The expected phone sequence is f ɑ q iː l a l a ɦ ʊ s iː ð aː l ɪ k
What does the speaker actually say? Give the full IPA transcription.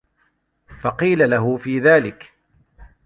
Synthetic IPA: f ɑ q iː l a l a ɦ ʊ f iː ð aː l ɪ k

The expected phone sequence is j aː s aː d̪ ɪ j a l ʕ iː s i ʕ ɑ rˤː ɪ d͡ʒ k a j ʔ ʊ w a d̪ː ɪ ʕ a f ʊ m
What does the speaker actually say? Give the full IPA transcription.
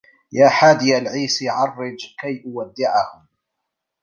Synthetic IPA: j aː ħ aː d̪ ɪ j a l ʕ iː s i ʕ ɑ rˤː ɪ d͡ʒ k a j ʔ ʊ w a d̪ː ɪ ʕ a h ʊ m

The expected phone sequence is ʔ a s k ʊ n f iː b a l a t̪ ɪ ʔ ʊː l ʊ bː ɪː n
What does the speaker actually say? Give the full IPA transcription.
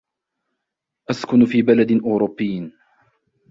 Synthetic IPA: ʔ a s k ʊ n f iː b a l a d̪ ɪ ʔ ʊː ɾ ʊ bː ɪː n

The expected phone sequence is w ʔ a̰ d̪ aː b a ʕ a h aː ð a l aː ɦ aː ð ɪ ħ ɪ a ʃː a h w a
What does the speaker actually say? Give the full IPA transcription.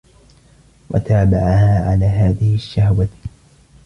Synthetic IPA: w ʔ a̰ t̪ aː b a ʕ a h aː ʕ a l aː ɦ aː ð ɪ h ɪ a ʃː a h w a

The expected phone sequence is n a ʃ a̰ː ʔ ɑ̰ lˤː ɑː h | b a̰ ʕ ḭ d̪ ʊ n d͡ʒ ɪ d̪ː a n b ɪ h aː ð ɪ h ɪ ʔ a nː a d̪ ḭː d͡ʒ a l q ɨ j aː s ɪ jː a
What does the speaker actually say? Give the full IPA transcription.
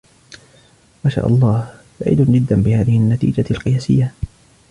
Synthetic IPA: m a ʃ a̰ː ʔ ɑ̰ lˤː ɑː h | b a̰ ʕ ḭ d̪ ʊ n d͡ʒ ɪ d̪ː a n b ɪ h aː ð ɪ h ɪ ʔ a nː a t̪ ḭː d͡ʒ a l q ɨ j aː s ɪ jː a

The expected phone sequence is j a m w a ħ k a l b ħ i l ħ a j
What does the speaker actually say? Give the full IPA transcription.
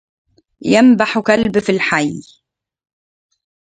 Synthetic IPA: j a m b a ħ k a l b f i l ħ a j

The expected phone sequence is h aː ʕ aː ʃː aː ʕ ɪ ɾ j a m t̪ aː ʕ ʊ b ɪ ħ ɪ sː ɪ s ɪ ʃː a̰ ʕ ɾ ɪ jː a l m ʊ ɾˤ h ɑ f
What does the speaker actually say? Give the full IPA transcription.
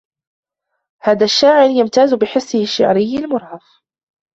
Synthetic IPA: h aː ð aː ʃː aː ʕ ɪ ɾ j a m t̪ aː z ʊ b ɪ ħ ɪ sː ɪ h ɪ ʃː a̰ ʕ ɾ ɪ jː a l m ʊ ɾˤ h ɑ f

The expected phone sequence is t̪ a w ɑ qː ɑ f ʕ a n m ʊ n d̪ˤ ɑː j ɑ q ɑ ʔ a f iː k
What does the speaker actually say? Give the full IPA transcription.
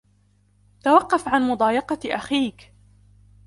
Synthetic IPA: t̪ a w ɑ qː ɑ f ʕ a n m ʊ d̪ˤ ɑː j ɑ q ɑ ʔ a x iː k

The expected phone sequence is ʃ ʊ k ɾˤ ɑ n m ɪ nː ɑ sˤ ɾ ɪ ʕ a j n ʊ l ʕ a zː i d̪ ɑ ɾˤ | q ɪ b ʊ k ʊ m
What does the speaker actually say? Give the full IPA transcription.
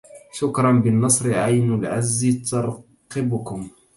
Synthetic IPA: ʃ ʊ k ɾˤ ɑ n b ɪ nː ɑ sˤ ɾ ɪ ʕ a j n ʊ l ʕ a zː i t̪ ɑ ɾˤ | q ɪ b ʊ k ʊ m

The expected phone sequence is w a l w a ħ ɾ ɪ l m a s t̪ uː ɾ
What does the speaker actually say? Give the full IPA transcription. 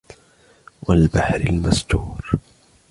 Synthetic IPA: w a l b a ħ ɾ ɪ l m a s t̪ uː ɾ

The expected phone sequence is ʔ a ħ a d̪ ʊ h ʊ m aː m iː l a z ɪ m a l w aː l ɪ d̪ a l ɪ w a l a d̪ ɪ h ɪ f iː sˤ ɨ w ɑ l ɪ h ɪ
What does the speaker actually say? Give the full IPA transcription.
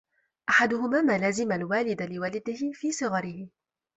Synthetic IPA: ʔ a ħ a d̪ ʊ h ʊ m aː m aː l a z ɪ m a l w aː l ɪ d̪ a l ɪ w a l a d̪ ɪ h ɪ f iː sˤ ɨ ɣ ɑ ɾ ɪ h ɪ

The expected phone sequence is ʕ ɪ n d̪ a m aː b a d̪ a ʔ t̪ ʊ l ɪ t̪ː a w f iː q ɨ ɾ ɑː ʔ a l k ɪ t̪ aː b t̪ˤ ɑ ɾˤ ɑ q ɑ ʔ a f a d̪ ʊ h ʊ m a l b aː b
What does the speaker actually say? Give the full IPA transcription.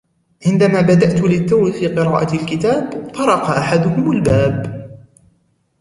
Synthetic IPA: ʕ ɪ n d̪ a m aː b a d̪ a ʔ t̪ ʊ l ɪ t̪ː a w f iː q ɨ ɾ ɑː ʔ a l k ɪ t̪ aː b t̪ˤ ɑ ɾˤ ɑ q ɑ ʔ a ħ a d̪ ʊ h ʊ m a l b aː b

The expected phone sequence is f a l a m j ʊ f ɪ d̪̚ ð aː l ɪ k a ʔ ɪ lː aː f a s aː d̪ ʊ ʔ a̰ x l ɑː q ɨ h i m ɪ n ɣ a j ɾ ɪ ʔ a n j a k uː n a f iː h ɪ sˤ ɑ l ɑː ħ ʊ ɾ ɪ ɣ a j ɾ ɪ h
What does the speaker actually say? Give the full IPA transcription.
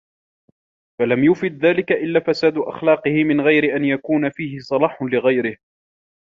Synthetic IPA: f a l a m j ʊ f ɪ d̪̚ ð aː l ɪ k a ʔ ɪ lː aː f a s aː d̪ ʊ ʔ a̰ x l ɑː q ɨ h ɪ m ɪ n ɣ a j ɾ ɪ ʔ a n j a k uː n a f iː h ɪ sˤ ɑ l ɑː ħ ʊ l ɪ ɣ a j ɾ ɪ h

